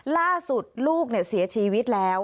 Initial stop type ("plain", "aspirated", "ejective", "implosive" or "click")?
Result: plain